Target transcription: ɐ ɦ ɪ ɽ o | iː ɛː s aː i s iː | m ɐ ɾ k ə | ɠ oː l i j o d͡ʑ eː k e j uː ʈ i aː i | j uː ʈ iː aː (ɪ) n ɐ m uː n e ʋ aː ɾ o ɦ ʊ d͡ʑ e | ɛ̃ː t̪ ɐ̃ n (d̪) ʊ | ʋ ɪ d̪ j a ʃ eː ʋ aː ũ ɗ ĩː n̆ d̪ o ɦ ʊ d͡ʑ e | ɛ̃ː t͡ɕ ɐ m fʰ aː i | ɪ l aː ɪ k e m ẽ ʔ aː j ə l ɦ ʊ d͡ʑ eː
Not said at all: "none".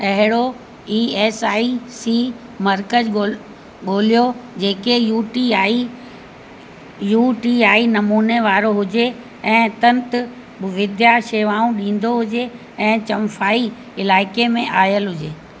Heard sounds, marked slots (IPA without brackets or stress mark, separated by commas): i, t̪